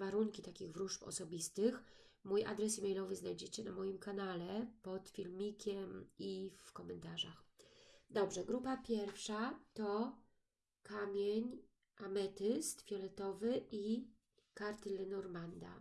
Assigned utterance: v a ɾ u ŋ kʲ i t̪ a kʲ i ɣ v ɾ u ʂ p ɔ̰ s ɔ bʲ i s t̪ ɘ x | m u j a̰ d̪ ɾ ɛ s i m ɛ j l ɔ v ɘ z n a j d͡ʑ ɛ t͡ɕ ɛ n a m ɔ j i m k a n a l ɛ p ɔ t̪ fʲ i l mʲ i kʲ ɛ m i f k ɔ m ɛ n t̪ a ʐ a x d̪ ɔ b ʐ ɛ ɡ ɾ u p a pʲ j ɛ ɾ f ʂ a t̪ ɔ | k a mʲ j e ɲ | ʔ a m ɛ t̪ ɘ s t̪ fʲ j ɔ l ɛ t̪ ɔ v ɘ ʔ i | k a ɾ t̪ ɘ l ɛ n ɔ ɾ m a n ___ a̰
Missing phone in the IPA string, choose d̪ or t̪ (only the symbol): d̪